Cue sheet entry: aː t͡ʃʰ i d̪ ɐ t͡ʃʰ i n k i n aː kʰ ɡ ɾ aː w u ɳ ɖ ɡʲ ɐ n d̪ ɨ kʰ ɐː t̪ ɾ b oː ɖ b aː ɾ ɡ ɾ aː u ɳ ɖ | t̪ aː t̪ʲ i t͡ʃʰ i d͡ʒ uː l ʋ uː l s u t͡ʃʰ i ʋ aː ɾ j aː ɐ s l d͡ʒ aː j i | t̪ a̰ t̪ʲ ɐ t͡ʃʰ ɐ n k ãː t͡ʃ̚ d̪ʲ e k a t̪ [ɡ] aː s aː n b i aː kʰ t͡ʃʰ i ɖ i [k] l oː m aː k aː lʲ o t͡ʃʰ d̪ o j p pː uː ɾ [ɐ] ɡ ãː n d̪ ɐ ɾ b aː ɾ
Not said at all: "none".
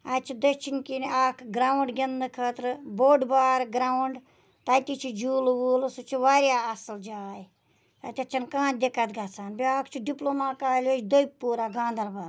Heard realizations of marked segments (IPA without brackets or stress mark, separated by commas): ɡ, p, a